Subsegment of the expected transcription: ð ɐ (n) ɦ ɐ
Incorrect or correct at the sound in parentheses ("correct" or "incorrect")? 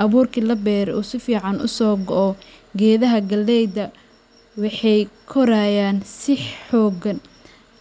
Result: incorrect